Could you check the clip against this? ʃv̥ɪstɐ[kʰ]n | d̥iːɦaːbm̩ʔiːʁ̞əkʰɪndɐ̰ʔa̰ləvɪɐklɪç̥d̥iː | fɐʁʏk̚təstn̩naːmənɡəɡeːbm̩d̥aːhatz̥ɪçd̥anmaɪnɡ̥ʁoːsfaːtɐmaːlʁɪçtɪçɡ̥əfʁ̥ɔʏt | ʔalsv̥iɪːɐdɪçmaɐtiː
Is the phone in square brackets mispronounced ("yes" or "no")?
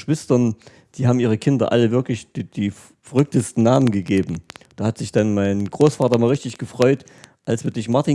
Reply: yes